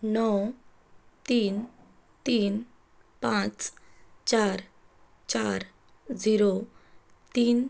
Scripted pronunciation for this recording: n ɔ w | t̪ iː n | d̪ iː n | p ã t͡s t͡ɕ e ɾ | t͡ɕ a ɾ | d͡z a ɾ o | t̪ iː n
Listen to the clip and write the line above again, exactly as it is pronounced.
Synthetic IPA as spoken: n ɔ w | t̪ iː n | t̪ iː n | p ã t͡s t͡ɕ a ɾ | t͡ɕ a ɾ | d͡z i ɾ o | t̪ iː n